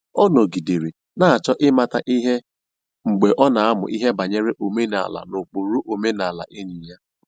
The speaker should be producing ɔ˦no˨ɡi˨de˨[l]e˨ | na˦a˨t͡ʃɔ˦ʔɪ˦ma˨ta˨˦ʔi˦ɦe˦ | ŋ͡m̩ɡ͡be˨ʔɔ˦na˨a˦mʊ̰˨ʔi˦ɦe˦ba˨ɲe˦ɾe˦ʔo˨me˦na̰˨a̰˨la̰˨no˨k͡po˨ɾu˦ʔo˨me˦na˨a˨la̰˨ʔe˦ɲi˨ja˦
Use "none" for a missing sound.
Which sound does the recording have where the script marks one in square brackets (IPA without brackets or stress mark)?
ɾ